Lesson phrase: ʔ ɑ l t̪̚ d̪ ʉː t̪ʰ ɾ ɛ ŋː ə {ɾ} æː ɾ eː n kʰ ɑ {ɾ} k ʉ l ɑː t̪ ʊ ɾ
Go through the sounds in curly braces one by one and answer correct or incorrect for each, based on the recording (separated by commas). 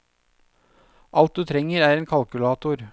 correct, incorrect